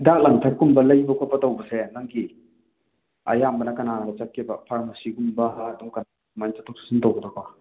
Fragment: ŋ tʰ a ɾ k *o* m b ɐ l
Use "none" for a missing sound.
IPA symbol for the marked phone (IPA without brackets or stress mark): u